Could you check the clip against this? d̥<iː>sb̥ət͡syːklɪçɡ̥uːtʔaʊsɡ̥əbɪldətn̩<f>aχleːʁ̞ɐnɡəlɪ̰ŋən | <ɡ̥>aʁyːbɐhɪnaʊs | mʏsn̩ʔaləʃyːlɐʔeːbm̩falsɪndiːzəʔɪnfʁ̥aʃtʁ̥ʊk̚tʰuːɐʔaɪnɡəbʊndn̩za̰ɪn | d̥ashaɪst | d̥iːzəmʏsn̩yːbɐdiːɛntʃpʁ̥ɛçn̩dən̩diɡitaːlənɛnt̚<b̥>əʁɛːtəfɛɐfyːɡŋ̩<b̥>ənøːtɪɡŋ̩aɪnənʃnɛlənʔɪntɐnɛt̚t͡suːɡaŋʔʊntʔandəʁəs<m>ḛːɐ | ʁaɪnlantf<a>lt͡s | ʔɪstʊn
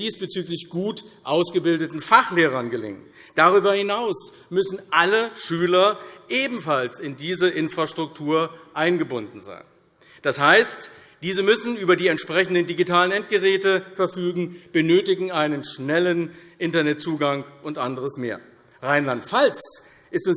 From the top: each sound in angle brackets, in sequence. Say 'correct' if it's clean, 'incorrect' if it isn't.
correct, correct, incorrect, incorrect, correct, correct, correct

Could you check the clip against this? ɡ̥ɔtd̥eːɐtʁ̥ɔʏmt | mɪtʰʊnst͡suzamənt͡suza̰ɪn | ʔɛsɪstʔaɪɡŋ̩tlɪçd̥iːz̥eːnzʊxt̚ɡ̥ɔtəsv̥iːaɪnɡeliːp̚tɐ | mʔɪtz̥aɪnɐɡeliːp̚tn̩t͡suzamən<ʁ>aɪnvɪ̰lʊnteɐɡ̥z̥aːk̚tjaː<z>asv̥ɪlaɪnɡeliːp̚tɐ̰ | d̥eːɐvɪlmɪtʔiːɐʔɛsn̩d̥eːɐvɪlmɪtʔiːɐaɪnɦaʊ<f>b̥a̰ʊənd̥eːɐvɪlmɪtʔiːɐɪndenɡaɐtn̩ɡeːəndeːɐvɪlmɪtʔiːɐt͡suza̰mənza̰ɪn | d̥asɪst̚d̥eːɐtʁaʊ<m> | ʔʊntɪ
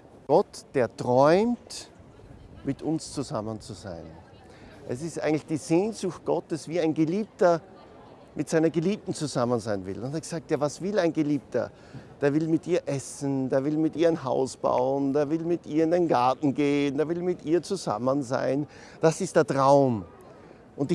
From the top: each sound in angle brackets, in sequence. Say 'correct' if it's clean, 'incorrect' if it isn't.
incorrect, incorrect, incorrect, correct

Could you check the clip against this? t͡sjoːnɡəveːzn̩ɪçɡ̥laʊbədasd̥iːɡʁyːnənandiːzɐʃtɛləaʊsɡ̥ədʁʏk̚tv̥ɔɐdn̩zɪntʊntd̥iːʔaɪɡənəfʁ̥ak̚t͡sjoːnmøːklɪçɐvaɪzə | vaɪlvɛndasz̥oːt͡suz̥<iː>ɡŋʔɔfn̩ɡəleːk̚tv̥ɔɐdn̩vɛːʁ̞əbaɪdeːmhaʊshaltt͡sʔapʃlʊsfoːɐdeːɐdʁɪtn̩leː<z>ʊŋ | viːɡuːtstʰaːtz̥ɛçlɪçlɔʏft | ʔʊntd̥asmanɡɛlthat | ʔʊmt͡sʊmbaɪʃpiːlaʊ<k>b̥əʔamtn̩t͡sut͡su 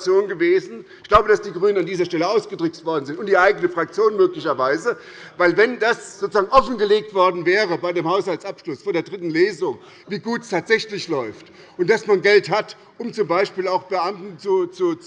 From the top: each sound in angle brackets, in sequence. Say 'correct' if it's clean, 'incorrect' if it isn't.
incorrect, correct, incorrect

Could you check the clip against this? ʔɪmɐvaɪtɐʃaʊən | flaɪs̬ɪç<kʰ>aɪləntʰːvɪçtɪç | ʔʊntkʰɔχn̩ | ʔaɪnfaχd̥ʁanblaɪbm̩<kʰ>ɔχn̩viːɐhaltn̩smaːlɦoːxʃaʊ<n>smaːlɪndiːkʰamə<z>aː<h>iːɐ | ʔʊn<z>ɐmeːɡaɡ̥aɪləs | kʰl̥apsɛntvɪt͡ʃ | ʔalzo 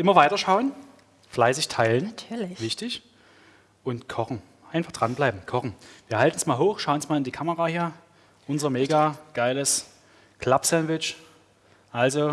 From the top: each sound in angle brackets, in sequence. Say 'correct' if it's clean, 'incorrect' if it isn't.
incorrect, correct, correct, incorrect, correct, correct

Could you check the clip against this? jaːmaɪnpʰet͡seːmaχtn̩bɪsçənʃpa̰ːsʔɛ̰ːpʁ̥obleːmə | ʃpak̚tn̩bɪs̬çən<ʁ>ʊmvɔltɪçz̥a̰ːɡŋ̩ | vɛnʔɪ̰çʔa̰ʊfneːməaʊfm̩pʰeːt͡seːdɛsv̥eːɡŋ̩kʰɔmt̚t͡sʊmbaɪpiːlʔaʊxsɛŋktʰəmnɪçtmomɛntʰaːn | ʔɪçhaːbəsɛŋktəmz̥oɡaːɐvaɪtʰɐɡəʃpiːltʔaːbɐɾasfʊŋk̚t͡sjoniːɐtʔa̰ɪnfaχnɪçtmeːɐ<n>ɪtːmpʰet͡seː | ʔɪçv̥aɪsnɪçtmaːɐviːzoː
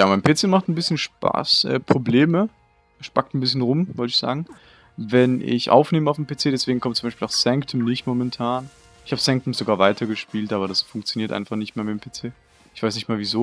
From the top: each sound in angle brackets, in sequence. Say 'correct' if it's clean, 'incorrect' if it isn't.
correct, incorrect

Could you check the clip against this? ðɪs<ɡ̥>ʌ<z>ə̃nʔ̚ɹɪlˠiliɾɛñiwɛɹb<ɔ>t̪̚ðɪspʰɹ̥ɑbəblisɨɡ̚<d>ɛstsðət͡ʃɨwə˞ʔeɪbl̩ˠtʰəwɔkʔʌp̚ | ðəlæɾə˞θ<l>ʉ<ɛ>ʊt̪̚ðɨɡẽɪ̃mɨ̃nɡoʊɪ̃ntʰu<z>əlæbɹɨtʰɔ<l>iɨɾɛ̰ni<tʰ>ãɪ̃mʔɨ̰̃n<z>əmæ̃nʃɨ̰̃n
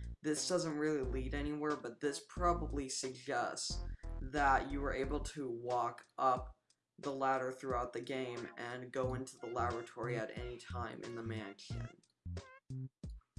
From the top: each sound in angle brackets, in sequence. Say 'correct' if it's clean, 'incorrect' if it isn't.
incorrect, correct, incorrect, incorrect, incorrect, incorrect, incorrect, incorrect, correct, incorrect

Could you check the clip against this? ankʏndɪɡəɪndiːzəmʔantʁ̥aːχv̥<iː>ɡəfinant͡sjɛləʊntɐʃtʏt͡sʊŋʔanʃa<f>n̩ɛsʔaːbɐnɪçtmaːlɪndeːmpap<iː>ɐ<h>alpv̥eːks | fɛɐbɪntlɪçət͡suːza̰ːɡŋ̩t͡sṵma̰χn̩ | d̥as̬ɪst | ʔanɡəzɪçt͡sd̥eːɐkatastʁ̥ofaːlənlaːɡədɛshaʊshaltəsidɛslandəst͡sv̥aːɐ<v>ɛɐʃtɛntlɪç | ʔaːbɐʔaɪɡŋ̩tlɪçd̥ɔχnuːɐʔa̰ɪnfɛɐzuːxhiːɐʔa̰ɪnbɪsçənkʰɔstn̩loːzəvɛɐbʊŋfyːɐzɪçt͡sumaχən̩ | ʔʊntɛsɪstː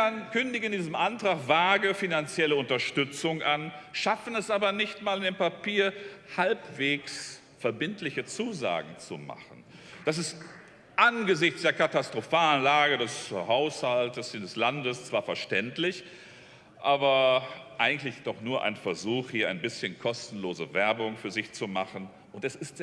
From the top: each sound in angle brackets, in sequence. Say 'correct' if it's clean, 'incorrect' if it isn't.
incorrect, correct, correct, correct, incorrect

